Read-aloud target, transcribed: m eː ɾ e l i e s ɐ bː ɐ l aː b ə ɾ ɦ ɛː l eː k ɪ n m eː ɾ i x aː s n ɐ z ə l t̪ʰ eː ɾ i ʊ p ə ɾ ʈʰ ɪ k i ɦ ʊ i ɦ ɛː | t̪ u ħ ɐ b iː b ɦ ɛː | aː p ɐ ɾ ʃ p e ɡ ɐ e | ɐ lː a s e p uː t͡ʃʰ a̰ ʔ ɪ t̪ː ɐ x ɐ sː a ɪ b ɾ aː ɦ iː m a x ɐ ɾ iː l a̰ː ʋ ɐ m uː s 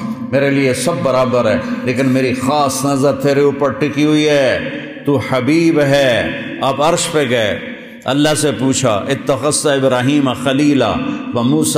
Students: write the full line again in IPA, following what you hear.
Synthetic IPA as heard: m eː ɾ e l i e s ɐ bː ɐ ɾ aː b ə ɾ ɦ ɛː l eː k ɪ n m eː ɾ i x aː s n ɐ z ə ɾ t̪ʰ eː ɾ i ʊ p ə ɾ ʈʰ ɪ k i ɦ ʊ i ɦ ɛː | t̪ u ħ ɐ b iː b ɦ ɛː | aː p ɐ ɾ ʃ p e ɡ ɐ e | ɐ lː a s e p uː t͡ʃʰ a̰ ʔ ɪ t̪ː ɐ x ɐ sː a ɪ b ɾ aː ɦ iː m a x ɐ l iː l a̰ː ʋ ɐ m uː s